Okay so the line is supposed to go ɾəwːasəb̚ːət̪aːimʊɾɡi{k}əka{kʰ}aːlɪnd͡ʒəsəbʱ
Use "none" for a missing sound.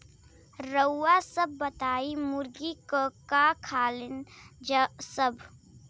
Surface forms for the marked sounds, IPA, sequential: k, kʰ

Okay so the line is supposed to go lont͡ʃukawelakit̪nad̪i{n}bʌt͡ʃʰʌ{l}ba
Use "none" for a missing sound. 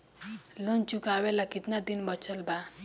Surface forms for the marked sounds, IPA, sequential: n, l

